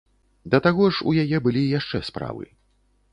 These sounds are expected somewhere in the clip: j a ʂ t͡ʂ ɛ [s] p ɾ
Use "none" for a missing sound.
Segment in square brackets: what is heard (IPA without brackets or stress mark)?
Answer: s